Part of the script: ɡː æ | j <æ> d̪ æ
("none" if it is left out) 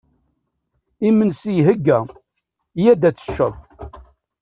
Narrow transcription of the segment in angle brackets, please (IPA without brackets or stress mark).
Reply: æ